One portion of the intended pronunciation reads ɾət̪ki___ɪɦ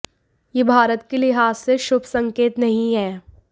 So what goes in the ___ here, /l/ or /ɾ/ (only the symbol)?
l